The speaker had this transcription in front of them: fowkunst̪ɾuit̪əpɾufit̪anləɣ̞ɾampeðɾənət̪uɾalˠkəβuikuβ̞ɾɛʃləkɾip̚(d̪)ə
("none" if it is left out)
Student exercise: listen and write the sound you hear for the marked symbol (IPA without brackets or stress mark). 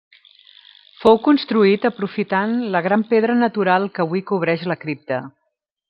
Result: t̪